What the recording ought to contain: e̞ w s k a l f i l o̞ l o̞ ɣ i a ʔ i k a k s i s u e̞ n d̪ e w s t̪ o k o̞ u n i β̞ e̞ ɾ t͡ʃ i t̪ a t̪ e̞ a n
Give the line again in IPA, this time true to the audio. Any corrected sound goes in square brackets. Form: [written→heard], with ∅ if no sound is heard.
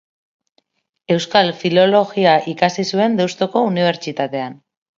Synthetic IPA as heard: e̞ w s k a l f i l o̞ l o̞ ɣ i a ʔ i k a [k→∅] s i s u e̞ n d̪ e w s t̪ o k o̞ u n i β̞ e̞ ɾ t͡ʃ i t̪ a t̪ e̞ a n